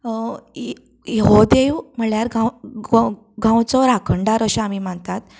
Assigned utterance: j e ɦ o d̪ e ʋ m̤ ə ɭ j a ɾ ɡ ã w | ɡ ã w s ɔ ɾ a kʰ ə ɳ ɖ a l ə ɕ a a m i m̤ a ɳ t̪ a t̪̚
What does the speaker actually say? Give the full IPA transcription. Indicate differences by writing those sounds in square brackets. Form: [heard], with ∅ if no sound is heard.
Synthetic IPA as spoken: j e ɦ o d̪ e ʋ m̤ ə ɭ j a ɾ ɡ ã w | ɡ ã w [t͡s] ɔ ɾ a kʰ ə ɳ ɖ a [ɾ] ə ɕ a a m i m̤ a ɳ t̪ a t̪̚